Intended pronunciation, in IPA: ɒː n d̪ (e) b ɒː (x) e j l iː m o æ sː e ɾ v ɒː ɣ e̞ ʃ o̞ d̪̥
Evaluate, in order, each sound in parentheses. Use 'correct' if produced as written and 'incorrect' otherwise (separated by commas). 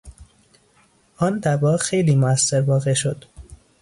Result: incorrect, correct